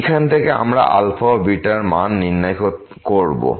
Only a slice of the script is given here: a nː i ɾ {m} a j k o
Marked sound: incorrect: n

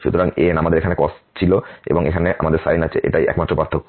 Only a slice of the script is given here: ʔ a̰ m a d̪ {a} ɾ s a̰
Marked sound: incorrect: e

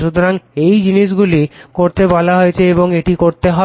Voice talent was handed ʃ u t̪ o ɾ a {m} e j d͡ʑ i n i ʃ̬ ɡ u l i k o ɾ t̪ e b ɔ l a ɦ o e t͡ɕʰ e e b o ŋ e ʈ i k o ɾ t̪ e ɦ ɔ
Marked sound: incorrect: ŋ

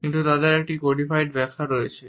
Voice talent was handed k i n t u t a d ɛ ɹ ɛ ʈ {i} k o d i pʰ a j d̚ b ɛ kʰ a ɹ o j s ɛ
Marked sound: correct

